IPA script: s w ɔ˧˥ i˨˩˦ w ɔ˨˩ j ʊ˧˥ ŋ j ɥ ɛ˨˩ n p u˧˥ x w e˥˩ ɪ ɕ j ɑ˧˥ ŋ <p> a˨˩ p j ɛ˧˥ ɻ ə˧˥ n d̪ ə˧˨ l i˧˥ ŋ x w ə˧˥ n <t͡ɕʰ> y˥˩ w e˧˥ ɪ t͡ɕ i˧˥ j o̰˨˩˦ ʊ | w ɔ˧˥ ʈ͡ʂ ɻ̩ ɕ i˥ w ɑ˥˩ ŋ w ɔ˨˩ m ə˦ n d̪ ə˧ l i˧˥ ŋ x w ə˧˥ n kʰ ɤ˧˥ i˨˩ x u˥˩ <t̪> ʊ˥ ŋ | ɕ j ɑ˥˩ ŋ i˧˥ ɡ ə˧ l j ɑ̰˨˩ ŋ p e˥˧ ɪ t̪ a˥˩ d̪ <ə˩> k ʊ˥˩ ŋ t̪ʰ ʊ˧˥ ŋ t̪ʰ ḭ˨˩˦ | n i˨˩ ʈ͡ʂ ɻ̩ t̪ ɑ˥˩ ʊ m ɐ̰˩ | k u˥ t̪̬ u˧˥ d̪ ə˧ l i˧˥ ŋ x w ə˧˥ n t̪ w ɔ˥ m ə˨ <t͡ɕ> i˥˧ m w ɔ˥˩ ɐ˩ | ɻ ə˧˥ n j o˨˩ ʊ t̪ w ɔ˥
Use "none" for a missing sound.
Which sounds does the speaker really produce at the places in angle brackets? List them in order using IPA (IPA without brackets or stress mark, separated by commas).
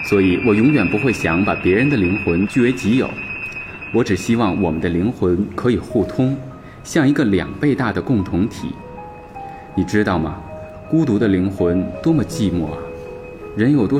p, t͡ɕ, t̪ʰ, ə˩, t͡ɕ